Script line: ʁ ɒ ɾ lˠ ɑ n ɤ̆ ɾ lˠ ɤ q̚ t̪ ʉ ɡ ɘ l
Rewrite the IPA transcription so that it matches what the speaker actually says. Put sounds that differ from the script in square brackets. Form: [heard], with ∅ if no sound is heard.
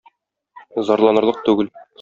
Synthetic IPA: [z] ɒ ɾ lˠ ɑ n ɤ̆ ɾ lˠ ɤ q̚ t̪ ʉ ɡ ɘ l